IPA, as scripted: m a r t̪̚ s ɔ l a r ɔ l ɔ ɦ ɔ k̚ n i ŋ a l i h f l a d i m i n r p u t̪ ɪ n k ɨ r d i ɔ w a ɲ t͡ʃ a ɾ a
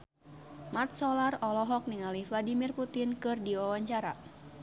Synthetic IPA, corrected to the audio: m a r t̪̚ s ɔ l a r ɔ l ɔ ɦ ɔ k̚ n i ŋ a l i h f l a d i m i r p u t̪ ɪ n k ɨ r d i ɔ w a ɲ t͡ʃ a ɾ a